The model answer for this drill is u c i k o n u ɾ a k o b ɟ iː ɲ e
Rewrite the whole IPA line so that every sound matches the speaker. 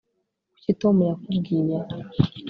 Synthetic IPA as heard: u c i t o m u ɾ a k u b ɡ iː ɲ a